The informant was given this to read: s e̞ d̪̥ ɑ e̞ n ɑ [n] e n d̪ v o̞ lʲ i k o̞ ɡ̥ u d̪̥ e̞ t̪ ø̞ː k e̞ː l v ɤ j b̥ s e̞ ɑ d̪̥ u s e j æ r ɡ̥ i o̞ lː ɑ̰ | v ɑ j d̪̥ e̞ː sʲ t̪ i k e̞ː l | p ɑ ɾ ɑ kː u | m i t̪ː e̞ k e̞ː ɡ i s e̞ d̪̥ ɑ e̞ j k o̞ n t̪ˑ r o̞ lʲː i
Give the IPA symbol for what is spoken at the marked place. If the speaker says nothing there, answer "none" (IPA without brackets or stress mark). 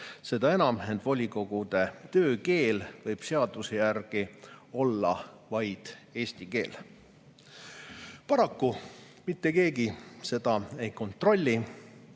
m